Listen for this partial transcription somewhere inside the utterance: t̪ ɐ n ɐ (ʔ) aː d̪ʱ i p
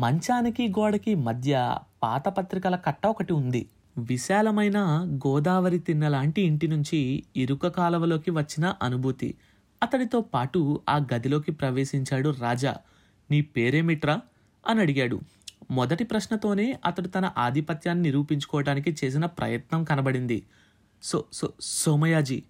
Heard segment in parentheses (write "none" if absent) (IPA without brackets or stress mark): ʔ